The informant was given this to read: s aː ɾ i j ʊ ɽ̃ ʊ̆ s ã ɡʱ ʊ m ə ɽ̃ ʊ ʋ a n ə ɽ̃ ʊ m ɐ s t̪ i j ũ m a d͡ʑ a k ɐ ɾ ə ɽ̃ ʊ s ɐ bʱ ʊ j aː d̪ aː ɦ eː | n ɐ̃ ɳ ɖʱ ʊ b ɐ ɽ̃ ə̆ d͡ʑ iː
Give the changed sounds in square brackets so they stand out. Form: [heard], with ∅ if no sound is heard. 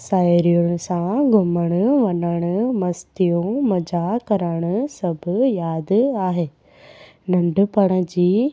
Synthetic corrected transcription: s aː ɾ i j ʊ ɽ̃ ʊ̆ s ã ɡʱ ʊ m ə ɽ̃ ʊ ʋ [ɐ] n ə ɽ̃ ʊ m ɐ s t̪ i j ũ m [ɐ] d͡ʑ a k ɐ ɾ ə ɽ̃ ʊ s ɐ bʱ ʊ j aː d̪ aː ɦ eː | n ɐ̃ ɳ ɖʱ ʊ [p] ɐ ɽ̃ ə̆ d͡ʑ iː